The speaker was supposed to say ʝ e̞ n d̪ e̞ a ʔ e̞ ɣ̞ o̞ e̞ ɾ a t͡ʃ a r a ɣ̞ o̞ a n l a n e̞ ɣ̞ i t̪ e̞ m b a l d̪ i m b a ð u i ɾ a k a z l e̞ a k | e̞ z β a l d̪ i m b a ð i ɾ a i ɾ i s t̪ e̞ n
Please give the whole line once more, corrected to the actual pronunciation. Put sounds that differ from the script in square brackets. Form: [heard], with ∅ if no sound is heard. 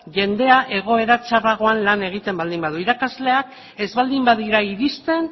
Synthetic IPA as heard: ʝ e̞ n d̪ e̞ a ʔ e̞ ɣ̞ o̞ e̞ ɾ a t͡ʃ a r a ɣ̞ o̞ a n l a n e̞ ɣ̞ i t̪ e̞ m b a l d̪ i m b a ð u i ɾ a k a z l e̞ a k | e̞ z β a l d̪ i m b a ð i ɾ a i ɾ i s t̪ e̞ n